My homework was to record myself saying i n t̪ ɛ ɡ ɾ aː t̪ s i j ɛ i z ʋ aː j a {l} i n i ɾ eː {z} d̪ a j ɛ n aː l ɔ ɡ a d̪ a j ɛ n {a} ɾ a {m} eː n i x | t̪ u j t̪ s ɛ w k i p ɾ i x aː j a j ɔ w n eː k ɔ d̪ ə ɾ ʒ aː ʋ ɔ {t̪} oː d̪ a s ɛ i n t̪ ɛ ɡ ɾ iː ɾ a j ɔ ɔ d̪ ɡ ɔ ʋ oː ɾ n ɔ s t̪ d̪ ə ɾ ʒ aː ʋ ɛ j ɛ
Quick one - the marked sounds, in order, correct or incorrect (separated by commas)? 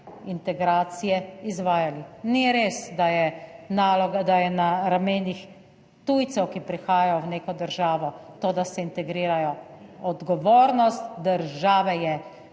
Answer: correct, incorrect, correct, correct, correct